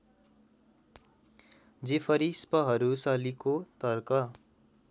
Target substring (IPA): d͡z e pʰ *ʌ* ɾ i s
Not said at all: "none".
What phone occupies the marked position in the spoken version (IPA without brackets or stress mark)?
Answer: ʌ